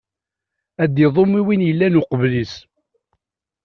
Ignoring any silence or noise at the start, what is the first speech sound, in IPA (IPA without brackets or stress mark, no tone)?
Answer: æ